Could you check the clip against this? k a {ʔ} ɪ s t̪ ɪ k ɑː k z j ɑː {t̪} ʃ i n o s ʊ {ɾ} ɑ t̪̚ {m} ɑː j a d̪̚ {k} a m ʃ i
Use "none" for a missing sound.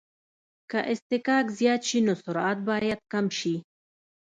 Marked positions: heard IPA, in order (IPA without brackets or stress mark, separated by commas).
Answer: ʔ, t̪, ɾ, b, k